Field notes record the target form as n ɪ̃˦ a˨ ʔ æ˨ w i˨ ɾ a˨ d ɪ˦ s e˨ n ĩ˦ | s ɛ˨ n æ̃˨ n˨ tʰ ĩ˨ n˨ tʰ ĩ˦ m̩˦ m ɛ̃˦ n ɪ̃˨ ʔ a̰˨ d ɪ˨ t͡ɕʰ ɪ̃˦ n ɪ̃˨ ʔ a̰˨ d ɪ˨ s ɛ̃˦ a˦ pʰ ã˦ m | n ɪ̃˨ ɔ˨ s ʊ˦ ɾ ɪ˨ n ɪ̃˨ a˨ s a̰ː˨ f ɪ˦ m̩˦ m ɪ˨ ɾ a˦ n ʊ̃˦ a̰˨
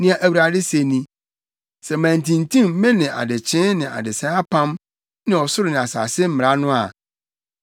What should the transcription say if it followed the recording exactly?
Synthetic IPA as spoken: n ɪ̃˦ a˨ ʔ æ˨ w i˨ ɾ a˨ d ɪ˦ s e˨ n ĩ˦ | s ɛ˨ m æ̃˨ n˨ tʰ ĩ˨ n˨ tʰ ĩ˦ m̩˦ m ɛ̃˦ n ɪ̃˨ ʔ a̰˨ d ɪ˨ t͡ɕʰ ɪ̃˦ n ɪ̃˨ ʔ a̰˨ d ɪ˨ s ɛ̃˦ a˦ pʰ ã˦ m | n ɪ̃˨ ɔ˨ s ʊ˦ ɾ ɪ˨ n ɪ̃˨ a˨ s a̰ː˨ s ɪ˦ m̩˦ m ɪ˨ ɾ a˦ n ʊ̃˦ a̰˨